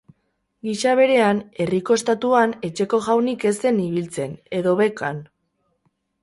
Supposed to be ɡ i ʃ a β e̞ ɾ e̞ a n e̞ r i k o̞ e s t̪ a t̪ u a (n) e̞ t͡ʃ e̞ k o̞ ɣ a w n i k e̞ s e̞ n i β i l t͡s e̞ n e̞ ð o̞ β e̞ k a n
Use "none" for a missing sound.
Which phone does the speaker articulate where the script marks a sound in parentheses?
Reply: n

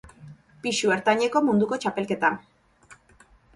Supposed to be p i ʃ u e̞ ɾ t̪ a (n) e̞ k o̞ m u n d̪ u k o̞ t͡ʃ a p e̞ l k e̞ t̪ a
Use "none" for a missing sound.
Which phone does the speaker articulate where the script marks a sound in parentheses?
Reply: ɲ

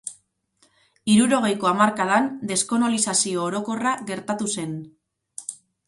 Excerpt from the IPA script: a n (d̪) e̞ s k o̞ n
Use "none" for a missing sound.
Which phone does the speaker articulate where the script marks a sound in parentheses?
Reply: d̪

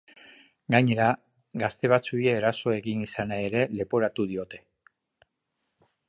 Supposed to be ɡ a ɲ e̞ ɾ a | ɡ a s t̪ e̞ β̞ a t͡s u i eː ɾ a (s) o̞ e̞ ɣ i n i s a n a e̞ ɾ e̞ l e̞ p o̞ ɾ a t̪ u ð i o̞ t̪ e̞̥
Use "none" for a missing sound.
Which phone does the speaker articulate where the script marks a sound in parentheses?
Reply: s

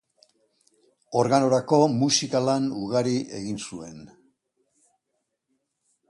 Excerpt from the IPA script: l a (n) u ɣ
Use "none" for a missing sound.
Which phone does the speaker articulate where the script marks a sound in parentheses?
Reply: n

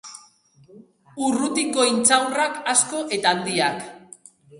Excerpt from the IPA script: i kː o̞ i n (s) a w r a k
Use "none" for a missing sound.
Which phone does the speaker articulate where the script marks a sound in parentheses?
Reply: t͡s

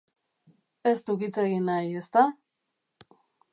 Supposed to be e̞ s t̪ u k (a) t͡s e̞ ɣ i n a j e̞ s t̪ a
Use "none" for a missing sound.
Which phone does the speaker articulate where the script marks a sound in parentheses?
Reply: i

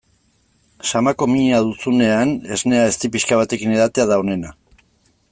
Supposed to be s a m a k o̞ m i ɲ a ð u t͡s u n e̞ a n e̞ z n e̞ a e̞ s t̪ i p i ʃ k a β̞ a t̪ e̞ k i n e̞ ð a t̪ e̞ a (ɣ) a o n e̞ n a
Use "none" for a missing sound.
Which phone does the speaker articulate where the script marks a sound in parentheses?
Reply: ð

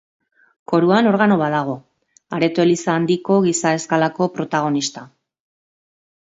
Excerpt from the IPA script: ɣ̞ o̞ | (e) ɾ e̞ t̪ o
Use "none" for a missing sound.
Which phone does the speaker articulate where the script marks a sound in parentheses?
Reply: a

